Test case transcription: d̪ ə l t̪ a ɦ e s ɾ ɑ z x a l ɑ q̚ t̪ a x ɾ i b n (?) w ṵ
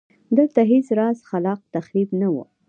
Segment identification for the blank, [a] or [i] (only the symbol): a